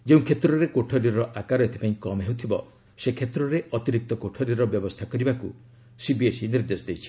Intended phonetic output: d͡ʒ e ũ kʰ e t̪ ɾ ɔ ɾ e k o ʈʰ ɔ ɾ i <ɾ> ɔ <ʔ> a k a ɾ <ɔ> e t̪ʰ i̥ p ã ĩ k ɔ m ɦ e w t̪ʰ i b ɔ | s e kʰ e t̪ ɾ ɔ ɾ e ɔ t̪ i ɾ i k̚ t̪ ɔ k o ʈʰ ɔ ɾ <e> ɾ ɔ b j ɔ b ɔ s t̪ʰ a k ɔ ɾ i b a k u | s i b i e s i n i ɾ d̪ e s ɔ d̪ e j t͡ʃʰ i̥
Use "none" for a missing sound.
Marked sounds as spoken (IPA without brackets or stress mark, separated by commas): ɾ, ʔ, ɔ, i